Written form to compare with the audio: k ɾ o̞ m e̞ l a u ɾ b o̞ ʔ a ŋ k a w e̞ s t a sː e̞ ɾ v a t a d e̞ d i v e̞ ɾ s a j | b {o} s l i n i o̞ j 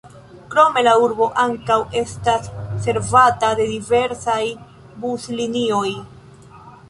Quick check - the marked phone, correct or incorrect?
incorrect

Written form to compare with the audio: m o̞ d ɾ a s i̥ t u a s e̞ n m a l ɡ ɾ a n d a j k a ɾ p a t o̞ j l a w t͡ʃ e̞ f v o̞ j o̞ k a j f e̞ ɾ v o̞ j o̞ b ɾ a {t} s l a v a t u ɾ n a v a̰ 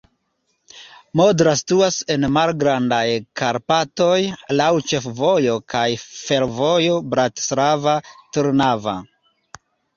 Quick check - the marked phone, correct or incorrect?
correct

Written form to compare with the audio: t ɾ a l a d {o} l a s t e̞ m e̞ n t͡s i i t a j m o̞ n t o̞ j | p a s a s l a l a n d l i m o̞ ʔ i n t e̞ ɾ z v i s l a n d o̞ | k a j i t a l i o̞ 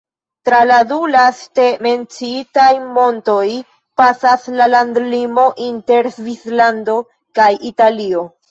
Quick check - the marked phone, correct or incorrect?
incorrect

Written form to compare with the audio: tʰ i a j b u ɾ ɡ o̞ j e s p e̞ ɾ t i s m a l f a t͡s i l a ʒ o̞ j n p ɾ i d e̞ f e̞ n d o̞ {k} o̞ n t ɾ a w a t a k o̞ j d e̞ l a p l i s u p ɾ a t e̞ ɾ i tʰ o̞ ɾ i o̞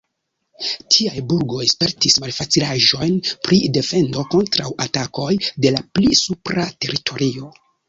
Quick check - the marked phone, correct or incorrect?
correct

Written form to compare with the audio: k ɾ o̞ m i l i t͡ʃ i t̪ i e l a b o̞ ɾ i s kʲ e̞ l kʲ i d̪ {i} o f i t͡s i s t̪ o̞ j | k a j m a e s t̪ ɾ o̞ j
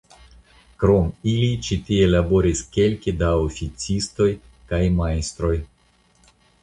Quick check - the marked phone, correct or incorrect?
incorrect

